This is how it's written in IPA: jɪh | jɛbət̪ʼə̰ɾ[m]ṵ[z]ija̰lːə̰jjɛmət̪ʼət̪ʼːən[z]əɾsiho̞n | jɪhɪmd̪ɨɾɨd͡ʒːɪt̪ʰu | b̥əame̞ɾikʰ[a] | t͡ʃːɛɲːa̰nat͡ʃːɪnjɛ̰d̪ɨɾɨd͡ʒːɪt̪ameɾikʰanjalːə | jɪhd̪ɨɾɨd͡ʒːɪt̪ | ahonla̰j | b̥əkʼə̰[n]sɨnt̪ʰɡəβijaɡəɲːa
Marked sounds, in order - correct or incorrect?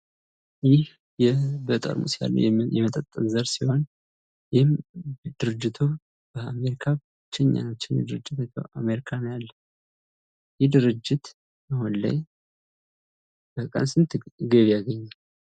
correct, incorrect, correct, correct, correct

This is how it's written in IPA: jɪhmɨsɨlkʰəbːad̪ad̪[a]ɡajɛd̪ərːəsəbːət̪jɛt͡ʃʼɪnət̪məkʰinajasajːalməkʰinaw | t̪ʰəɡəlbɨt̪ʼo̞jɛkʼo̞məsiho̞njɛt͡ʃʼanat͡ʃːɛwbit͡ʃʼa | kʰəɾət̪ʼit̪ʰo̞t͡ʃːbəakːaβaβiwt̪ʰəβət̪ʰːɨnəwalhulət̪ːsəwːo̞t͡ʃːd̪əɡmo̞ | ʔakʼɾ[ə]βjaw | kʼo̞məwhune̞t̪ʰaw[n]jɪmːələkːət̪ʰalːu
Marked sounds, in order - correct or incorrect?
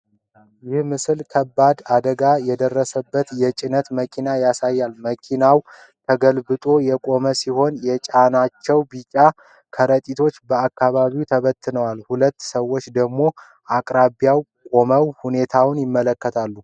incorrect, incorrect, correct

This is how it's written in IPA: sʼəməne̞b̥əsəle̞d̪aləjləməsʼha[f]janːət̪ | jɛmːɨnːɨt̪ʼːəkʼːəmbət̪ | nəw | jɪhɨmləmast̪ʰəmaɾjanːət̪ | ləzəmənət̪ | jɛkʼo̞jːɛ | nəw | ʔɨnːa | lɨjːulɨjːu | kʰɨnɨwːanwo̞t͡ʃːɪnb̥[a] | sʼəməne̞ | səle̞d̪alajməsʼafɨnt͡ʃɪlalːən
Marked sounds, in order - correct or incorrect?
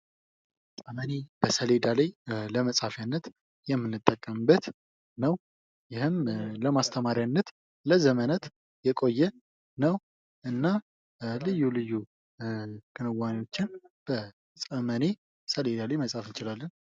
correct, incorrect

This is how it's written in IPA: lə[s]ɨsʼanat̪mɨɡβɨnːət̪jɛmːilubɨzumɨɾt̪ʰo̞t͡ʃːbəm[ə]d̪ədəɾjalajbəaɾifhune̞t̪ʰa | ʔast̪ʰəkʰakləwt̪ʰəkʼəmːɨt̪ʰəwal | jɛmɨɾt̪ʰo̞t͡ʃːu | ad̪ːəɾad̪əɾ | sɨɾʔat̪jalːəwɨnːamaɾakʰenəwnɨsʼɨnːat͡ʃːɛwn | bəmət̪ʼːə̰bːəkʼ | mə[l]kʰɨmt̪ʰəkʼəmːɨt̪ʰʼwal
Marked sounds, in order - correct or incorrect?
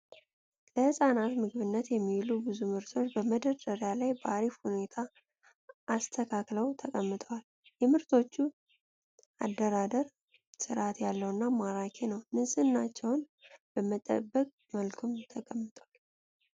incorrect, correct, correct

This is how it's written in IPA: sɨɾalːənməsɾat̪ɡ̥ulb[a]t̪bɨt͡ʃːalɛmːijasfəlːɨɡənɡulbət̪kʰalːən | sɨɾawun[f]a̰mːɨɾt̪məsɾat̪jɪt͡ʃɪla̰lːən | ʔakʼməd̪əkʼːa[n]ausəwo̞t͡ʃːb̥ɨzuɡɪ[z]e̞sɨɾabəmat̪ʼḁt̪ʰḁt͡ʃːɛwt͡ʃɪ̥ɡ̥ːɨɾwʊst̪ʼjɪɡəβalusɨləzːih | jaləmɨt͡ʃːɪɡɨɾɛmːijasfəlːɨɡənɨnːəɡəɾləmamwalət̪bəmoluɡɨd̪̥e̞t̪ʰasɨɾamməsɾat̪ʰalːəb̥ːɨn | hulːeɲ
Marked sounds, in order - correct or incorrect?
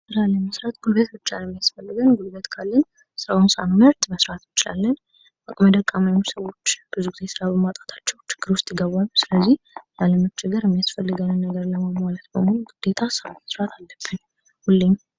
incorrect, incorrect, incorrect, correct

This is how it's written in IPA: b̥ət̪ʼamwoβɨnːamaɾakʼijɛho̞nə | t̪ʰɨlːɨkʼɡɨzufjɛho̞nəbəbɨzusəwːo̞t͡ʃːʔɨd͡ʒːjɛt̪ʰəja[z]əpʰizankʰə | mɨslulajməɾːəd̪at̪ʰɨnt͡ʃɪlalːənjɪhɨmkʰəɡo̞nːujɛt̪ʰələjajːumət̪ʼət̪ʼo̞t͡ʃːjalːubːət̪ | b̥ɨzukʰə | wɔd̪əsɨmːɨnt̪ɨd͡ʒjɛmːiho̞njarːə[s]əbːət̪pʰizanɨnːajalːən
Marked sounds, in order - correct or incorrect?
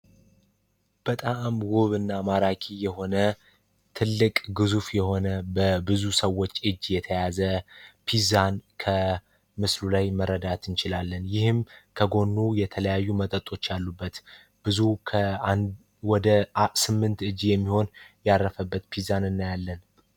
correct, incorrect

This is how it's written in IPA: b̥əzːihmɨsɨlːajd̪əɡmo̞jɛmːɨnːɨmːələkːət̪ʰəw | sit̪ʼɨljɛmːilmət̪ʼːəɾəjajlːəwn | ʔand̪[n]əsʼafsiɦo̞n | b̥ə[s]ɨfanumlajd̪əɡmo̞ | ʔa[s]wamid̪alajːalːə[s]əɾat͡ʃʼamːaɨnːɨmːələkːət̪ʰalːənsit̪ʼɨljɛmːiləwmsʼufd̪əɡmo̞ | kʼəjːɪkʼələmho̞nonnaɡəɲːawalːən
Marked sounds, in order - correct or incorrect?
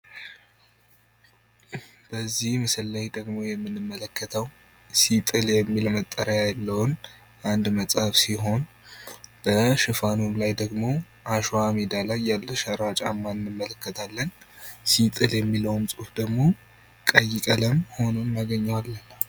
incorrect, incorrect, incorrect, incorrect

